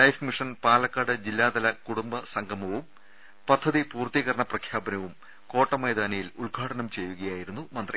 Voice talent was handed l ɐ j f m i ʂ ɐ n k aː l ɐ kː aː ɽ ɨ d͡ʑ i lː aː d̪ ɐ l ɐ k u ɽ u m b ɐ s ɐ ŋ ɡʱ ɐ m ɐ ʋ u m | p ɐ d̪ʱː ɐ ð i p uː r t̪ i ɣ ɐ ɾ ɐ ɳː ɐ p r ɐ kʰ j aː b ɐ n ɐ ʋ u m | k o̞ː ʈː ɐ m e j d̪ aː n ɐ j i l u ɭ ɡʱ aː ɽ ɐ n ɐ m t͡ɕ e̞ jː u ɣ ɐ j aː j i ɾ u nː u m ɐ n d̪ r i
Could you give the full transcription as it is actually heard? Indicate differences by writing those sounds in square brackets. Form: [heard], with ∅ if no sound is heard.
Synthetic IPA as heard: l ɐ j f m i ʂ ɐ n [p] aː l ɐ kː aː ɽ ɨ d͡ʑ i lː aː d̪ ɐ l ɐ k u ɽ u m b ɐ s ɐ ŋ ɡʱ ɐ m ɐ ʋ u m | p ɐ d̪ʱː ɐ ð i p uː r t̪ i ɣ ɐ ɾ ɐ [ɳ] ɐ p r ɐ kʰ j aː b ɐ n ɐ ʋ u m | k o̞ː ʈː ɐ m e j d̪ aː n ɐ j i l u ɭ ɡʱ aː ɽ ɐ n ɐ m t͡ɕ e̞ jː u ɣ ɐ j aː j i ɾ u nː u m ɐ n d̪ r i